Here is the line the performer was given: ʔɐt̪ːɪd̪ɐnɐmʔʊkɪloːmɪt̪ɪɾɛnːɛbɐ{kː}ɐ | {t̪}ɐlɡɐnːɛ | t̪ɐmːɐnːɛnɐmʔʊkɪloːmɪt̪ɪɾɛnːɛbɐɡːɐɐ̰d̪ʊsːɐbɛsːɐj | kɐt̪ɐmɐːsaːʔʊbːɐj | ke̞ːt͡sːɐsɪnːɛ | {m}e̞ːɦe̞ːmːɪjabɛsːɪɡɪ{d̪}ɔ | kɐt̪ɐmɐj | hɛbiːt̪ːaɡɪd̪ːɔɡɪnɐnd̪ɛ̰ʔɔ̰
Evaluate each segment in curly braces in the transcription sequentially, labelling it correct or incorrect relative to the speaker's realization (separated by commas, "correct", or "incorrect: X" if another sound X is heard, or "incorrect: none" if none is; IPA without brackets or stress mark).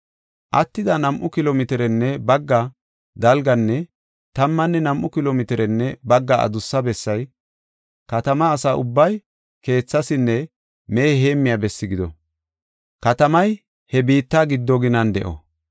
incorrect: ɡː, incorrect: d̪, correct, correct